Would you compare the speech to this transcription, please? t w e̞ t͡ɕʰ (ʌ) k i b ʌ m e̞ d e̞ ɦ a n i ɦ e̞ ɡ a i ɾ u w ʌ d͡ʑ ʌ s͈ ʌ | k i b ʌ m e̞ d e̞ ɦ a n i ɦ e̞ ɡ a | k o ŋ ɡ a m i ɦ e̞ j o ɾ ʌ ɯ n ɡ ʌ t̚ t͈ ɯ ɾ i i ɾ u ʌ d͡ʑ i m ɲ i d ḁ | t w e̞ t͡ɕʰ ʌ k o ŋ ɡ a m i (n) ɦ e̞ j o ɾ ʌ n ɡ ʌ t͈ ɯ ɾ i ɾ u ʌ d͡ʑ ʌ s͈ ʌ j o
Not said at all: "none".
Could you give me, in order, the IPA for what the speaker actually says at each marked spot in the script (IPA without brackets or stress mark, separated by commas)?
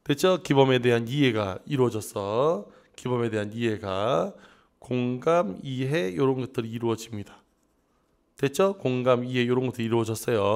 ʌ, none